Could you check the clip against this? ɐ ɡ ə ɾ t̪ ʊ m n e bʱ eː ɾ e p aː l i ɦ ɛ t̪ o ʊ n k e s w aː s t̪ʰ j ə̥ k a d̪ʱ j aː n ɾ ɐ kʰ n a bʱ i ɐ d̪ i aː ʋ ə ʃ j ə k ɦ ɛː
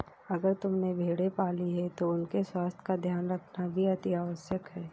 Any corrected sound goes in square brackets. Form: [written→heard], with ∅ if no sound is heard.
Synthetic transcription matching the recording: ɐ ɡ ə ɾ t̪ ʊ m n e bʱ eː [ɾ→ɽ] e p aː l i ɦ ɛ t̪ o ʊ n k e s w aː s t̪ʰ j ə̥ k a d̪ʱ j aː n ɾ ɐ kʰ n a bʱ i ɐ [d̪→t̪] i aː ʋ ə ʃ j ə k ɦ ɛː